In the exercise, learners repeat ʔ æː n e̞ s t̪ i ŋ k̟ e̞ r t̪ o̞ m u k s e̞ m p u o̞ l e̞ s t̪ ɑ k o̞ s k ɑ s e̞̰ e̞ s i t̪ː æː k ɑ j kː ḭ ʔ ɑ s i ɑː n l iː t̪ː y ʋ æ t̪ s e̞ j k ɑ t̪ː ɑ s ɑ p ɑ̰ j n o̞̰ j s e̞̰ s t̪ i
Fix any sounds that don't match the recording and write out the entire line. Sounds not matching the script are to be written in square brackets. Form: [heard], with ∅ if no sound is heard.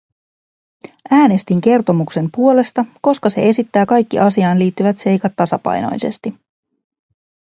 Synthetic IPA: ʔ æː n e̞ s t̪ i ŋ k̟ e̞ r t̪ o̞ m u k s e̞ m p u o̞ l e̞ s t̪ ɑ k o̞ s k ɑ s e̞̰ e̞ s i t̪ː æː k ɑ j kː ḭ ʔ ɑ s i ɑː n l iː t̪ː y ʋ æ t̪ s e̞ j k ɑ t̪ː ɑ s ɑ p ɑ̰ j n o̞̰ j s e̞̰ s t̪ i